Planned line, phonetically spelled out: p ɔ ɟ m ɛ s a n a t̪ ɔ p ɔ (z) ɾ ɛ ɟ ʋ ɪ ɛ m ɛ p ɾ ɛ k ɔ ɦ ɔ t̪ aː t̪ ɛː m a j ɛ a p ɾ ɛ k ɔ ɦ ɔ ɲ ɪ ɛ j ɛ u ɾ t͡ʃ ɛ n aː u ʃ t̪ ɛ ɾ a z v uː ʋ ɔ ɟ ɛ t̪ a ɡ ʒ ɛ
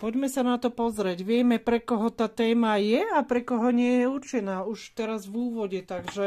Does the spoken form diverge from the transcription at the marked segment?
no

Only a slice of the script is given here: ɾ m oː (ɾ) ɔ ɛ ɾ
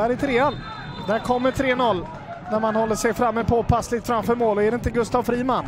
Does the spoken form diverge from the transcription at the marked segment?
yes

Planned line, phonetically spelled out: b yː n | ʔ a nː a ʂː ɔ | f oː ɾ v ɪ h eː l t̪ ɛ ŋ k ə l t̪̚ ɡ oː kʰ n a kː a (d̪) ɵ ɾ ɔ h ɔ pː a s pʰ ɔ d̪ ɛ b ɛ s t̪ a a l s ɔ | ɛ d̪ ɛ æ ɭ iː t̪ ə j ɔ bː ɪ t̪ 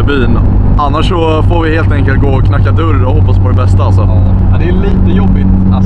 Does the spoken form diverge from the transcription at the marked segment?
no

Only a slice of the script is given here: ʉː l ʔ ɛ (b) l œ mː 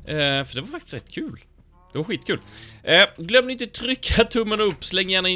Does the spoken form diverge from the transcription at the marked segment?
yes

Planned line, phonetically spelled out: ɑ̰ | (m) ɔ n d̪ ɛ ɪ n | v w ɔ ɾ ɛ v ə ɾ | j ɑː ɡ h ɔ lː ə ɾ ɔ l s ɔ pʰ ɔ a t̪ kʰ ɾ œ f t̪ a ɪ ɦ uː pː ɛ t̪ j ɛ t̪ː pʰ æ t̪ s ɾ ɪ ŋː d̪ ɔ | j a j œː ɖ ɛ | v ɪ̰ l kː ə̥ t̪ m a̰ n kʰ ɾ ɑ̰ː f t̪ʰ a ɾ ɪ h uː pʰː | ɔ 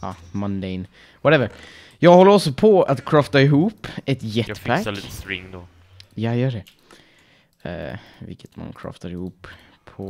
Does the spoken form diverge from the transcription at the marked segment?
no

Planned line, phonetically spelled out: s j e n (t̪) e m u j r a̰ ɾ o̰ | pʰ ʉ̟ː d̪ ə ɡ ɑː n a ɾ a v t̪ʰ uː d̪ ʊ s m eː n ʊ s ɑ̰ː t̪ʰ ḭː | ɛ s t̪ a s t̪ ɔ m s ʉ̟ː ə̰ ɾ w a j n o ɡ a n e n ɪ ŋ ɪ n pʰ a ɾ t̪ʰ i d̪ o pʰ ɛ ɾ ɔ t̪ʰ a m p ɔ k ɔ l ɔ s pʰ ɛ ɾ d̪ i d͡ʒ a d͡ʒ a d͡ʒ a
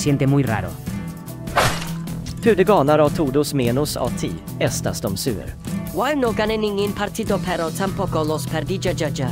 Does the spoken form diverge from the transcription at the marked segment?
no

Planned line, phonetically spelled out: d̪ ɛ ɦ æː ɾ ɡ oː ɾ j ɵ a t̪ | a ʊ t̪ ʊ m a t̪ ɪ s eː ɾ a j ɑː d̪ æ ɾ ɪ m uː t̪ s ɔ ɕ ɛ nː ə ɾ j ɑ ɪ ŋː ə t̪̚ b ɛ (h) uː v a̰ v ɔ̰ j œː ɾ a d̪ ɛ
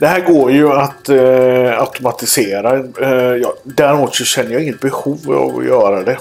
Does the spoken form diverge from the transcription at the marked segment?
no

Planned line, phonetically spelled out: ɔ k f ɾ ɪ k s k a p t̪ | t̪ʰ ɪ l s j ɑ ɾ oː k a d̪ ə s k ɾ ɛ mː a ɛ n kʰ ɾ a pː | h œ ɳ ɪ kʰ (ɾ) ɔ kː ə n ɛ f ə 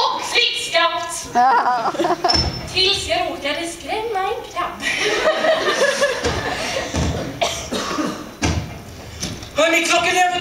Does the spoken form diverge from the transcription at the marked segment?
yes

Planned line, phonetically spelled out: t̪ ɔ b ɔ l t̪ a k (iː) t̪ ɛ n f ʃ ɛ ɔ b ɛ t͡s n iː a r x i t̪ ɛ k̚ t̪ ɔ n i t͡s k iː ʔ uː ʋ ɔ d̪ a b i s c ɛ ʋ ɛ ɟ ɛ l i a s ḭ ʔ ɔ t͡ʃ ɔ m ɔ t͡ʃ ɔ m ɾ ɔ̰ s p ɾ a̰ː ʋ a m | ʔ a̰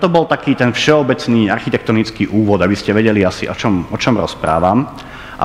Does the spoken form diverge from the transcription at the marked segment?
no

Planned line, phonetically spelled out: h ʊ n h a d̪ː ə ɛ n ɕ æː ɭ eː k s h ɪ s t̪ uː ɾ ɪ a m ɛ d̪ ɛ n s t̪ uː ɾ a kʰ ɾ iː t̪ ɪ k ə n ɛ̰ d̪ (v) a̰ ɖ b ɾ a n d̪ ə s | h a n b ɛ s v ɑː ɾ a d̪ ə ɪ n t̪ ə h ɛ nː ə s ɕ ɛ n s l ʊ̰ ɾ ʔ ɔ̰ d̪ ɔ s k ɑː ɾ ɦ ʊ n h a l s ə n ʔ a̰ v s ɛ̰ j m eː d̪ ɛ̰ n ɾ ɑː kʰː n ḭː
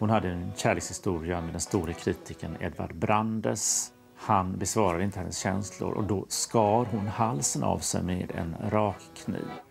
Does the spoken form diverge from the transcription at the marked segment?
no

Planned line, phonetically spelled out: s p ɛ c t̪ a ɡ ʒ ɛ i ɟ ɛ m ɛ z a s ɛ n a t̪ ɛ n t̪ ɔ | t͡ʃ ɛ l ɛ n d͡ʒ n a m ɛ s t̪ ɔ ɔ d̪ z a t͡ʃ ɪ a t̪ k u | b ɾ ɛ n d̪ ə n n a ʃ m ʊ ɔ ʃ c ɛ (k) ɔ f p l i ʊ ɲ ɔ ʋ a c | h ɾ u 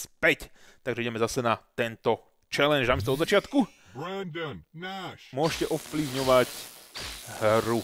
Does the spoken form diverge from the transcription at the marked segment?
yes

